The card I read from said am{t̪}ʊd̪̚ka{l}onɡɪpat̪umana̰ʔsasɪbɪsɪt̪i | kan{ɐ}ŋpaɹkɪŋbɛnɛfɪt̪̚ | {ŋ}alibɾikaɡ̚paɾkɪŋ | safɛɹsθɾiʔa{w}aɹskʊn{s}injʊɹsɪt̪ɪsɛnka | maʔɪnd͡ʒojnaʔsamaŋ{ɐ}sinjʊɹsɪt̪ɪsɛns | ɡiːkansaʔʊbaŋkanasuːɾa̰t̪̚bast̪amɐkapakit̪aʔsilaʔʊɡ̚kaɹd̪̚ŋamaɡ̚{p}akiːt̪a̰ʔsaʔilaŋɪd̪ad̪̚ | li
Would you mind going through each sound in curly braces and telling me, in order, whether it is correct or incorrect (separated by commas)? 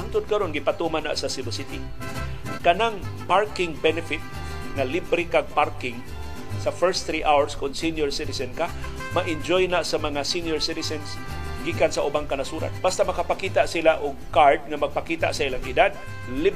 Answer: correct, incorrect, incorrect, correct, correct, correct, incorrect, correct